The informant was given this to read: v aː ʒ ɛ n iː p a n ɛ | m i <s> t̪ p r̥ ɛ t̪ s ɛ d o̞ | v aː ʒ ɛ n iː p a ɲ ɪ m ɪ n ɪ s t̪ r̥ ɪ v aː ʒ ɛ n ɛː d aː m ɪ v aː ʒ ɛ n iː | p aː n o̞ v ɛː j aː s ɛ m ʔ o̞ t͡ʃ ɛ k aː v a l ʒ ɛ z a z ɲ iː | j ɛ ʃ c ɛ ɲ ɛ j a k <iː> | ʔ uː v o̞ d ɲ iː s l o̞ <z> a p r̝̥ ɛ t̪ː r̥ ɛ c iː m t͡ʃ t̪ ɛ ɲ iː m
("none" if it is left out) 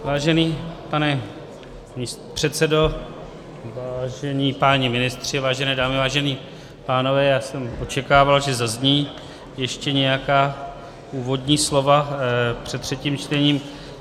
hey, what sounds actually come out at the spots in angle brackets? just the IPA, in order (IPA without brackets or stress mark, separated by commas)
s, aː, v